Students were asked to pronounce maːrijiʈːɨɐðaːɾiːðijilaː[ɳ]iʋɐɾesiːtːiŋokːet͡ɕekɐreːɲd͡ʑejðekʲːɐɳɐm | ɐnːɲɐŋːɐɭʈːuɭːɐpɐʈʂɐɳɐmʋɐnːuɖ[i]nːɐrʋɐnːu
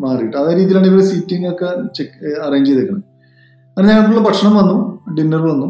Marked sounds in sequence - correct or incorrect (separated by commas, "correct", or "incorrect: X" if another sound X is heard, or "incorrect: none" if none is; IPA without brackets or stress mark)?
correct, correct